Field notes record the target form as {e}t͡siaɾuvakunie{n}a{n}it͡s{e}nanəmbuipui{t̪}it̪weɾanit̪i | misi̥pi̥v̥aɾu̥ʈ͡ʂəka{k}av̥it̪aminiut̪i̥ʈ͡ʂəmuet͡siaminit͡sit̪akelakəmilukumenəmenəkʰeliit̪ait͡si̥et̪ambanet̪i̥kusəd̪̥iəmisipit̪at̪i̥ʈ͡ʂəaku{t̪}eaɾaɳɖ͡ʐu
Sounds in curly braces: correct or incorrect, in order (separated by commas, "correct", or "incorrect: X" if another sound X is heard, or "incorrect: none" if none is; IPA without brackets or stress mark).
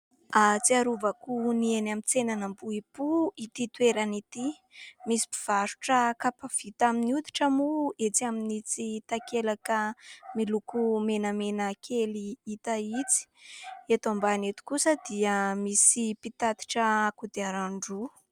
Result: incorrect: a, correct, incorrect: m, correct, correct, incorrect: p, incorrect: d̪